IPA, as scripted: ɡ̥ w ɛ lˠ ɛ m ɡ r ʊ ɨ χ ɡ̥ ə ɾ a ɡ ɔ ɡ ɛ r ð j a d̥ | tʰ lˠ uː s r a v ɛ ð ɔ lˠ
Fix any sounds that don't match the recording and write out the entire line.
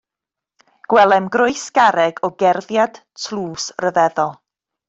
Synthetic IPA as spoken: ɡ̥ w ɛ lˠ ɛ m ɡ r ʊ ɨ s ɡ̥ a ɾ ɛ ɡ ɔ ɡ ɛ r ð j a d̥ | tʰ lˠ uː s r ə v ɛ ð ɔ lˠ